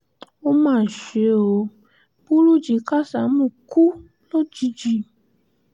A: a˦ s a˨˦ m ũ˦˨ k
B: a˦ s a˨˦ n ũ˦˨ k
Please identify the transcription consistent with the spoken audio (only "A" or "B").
A